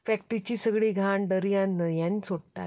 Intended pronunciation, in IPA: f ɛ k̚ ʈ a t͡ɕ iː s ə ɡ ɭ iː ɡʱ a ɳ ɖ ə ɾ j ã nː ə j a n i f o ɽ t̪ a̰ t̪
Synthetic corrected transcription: f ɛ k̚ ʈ i t͡ɕ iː s ə ɡ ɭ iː ɡʱ a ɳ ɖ ə ɾ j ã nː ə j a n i s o ɽ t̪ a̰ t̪